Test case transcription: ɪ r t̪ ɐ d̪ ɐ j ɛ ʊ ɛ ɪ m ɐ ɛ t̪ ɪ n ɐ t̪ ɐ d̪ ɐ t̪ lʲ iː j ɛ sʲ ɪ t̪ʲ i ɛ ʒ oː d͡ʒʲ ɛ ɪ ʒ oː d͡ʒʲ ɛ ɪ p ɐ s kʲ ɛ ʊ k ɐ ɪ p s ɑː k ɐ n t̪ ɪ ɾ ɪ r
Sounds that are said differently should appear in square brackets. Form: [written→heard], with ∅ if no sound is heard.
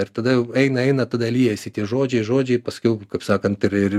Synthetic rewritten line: ɪ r t̪ ɐ d̪ ɐ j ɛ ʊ ɛ ɪ [m→n] ɐ ɛ [t̪→∅] ɪ n ɐ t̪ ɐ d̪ ɐ [t̪→∅] lʲ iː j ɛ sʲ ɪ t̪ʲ i ɛ ʒ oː d͡ʒʲ ɛ ɪ ʒ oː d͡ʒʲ ɛ ɪ p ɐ s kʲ ɛ ʊ k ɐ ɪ p s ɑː k ɐ n t̪ ɪ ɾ ɪ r